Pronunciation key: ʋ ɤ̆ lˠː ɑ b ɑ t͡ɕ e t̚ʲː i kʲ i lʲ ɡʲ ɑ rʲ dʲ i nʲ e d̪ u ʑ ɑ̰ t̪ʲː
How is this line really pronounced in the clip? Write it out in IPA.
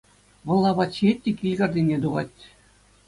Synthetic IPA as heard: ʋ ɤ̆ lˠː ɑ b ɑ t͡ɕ e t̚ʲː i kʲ i lʲ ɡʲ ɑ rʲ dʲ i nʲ e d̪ u ʁ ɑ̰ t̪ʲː